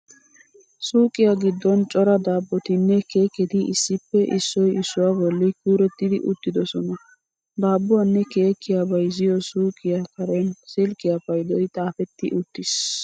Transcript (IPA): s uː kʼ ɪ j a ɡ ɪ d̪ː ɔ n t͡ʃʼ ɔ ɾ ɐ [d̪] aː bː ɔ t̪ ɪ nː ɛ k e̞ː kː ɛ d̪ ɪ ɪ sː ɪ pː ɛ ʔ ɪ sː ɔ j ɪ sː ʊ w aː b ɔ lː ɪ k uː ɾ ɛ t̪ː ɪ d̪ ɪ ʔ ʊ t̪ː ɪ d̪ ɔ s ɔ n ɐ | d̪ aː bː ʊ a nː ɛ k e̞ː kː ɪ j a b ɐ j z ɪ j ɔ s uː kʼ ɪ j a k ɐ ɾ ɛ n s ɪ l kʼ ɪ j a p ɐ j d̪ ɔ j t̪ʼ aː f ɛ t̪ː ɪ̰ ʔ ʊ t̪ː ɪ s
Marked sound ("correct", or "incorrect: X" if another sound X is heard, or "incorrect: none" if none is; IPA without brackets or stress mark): correct